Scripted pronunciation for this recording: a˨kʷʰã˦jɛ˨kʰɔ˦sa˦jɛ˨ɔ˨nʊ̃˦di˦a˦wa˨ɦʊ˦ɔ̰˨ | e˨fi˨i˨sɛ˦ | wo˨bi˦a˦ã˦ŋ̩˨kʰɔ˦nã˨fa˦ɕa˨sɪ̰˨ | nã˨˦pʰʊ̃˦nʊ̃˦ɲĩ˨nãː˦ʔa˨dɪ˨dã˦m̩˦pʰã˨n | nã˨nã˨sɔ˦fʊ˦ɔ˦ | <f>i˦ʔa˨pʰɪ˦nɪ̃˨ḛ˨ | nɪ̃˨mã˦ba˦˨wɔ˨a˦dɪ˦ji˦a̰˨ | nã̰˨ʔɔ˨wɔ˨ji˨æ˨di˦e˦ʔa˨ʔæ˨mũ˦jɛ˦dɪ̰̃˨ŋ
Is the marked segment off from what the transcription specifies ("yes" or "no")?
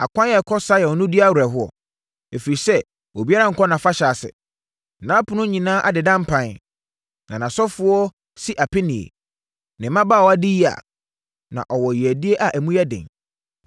yes